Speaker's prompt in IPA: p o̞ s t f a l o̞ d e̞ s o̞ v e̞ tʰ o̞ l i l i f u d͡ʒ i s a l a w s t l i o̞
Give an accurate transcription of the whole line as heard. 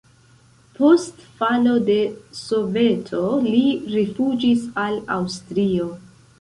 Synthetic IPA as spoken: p o̞ s t f a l o̞ d e̞ s o̞ v e̞ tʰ o̞ l i ɾ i f u d͡ʒ i s a l a w s t ɾ i o̞